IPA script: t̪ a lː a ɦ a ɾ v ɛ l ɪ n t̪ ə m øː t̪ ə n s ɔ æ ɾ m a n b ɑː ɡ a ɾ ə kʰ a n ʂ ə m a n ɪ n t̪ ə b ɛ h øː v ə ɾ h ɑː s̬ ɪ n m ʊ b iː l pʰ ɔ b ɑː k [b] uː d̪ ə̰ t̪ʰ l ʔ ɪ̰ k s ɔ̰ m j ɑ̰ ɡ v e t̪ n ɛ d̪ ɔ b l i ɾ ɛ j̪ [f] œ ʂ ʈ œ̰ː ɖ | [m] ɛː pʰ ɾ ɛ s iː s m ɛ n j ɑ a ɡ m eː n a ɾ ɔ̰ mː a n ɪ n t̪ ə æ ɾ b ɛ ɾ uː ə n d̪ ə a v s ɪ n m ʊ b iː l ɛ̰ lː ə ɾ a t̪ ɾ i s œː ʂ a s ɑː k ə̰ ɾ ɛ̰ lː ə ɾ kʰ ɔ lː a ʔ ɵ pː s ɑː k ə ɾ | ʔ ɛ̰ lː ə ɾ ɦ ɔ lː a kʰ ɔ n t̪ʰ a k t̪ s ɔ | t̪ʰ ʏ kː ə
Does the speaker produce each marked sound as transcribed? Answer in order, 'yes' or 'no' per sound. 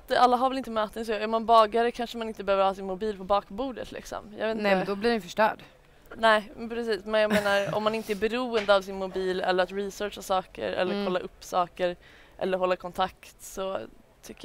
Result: yes, yes, no

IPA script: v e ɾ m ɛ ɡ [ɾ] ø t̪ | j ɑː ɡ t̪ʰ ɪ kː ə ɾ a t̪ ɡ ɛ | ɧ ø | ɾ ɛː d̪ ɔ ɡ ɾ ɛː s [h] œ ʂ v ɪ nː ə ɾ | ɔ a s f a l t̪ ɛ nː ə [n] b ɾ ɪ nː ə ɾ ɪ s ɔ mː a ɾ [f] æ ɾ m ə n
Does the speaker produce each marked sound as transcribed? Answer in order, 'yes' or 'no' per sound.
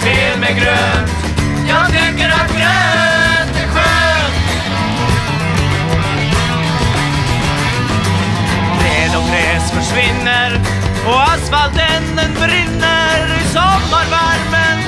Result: yes, no, yes, no

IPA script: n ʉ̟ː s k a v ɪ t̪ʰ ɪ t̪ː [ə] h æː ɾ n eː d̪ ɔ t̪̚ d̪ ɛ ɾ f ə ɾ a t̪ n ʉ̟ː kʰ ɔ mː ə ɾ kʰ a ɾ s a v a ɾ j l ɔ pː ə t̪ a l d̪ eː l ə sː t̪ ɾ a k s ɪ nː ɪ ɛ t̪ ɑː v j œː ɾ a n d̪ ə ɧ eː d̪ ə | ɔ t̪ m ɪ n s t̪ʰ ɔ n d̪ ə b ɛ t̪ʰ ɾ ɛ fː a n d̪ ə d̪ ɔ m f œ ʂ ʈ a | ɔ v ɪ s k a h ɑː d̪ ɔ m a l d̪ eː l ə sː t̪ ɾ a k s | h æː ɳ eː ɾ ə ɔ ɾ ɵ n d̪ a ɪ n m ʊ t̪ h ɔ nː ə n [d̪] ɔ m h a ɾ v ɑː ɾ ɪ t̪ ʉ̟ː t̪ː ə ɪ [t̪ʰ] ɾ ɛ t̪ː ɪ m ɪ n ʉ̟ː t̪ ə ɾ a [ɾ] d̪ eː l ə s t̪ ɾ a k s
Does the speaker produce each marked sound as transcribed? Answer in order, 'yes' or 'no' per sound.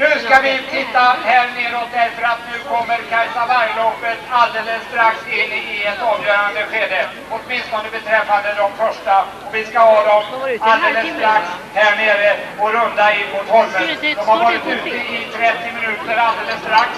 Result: no, yes, yes, no

